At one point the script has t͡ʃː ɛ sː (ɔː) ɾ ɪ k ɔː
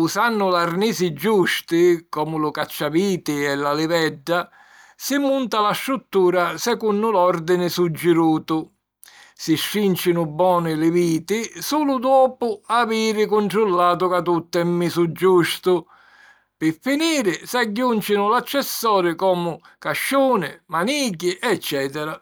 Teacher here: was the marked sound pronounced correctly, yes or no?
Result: yes